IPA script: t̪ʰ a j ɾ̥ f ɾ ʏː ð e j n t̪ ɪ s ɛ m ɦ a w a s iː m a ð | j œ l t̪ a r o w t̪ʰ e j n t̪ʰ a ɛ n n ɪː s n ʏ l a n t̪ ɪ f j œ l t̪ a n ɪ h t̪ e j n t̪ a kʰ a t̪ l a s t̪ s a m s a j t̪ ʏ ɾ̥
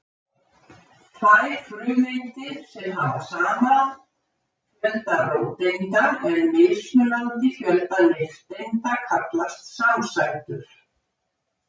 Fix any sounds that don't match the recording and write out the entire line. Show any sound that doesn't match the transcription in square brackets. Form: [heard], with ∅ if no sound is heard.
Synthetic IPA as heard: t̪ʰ a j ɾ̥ f ɾ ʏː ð e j n t̪ ɪ s ɛ m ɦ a [v] a s [aː] m a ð | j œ l t̪ a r o w [t̪] e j n [t̪] a ɛ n [m] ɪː s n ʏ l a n t̪ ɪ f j œ l t̪ a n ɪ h t̪ e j n t̪ a kʰ a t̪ l a s t̪ s a m s a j t̪ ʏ ɾ̥